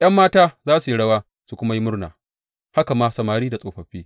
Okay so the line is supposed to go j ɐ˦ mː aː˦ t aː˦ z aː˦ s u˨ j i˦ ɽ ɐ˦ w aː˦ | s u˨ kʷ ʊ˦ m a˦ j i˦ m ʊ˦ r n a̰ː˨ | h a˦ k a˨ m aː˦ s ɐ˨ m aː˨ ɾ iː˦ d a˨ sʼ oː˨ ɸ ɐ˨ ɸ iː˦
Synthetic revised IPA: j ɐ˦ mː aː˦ t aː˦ z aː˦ s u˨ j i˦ ɽ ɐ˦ w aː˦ | s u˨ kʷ ʊ˦ m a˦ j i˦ m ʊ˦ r n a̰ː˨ | h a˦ k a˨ m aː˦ s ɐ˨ m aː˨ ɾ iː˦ d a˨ sʼ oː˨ ɸ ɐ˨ ɸ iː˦